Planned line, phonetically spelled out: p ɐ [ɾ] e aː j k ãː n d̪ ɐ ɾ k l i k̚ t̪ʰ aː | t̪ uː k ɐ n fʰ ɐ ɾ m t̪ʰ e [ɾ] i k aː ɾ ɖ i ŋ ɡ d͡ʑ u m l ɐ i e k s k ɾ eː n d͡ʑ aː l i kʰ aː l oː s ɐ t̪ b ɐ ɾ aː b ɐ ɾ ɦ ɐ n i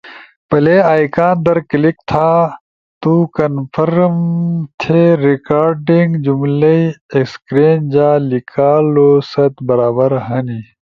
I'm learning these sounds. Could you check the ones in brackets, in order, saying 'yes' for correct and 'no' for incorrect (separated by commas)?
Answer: no, yes